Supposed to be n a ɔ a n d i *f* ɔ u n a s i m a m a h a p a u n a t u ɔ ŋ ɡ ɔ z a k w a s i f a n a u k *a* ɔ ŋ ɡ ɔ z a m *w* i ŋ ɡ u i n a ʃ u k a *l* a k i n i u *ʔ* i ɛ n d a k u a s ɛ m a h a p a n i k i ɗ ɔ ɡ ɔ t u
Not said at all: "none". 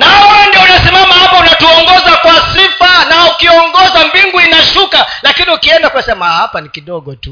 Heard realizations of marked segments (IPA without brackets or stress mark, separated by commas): none, i, b, l, k